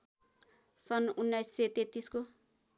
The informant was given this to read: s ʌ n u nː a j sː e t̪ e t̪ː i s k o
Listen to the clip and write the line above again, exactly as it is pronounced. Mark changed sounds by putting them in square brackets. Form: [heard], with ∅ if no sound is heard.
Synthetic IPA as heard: s ʌ n u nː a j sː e t̪ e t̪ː i s k o